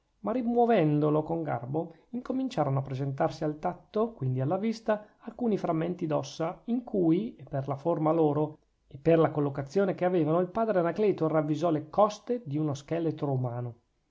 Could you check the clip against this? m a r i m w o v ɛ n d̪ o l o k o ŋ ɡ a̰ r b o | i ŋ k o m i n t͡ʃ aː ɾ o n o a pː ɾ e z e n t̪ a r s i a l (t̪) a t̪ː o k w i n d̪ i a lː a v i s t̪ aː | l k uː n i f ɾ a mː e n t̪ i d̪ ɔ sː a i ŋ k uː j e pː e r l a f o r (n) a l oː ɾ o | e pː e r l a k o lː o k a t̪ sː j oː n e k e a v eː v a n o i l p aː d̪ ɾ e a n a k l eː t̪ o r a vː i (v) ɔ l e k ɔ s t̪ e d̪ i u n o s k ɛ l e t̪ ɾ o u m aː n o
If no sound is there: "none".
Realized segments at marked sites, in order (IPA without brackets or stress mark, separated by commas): t̪, m, z